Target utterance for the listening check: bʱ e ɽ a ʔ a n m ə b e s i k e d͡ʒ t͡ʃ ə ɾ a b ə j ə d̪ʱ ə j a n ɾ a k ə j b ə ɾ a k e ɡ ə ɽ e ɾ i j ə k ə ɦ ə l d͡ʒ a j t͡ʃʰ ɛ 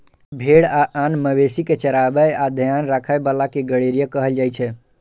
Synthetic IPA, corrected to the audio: bʱ e ɽ a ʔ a n m ə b e s i k e t͡ʃ ə ɾ a b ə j a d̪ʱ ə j a n ɾ a kʰ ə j b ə l a k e ɡ ə ɽ e ɾ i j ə k ə ɦ ə l d͡ʒ a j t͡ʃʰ ɛ